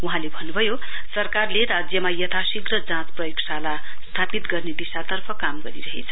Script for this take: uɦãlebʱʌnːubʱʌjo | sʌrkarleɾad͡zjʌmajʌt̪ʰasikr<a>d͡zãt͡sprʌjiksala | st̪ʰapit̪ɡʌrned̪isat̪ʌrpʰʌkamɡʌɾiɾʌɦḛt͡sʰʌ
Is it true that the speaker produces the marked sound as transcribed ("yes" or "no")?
no